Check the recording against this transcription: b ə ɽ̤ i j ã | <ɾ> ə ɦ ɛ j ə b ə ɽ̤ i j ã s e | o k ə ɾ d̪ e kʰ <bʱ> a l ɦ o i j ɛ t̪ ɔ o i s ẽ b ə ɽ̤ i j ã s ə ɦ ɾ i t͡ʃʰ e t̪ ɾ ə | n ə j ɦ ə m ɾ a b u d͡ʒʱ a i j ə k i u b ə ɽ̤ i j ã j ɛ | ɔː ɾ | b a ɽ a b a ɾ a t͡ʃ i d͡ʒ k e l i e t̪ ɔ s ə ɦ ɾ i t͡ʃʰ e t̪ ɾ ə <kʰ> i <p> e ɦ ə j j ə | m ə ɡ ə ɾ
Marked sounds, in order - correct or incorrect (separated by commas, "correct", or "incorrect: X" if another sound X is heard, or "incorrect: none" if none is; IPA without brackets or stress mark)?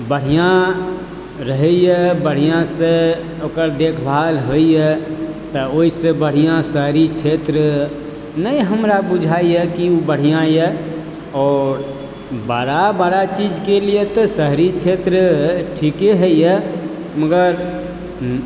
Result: correct, correct, incorrect: ʈʰ, incorrect: k